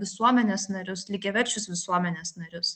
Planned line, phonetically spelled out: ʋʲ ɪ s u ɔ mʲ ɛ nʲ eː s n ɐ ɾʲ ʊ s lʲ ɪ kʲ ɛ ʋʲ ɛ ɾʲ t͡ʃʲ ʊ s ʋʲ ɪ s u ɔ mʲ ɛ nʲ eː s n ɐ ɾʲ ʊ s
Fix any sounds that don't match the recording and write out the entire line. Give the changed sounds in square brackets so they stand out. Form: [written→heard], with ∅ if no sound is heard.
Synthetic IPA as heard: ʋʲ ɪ s u ɔ mʲ ɛ nʲ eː s n ɐ ɾʲ ʊ s lʲ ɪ [kʲ→ɡʲ] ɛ ʋʲ ɛ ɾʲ t͡ʃʲ ʊ s ʋʲ ɪ s u ɔ mʲ ɛ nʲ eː s n ɐ ɾʲ ʊ s